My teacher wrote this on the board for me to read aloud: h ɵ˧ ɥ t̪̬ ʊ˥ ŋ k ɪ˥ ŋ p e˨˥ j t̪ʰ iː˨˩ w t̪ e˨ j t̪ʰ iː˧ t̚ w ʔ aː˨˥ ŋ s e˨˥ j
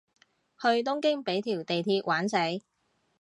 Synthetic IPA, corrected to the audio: h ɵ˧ ɥ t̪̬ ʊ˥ ŋ k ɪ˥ ŋ p e˨˥ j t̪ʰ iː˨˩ w t̪ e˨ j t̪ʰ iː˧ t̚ w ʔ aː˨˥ n s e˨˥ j